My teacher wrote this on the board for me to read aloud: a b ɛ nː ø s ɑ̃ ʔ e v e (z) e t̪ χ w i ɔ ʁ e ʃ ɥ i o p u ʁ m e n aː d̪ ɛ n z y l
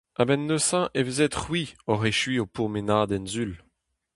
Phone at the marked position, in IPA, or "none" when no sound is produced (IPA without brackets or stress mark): z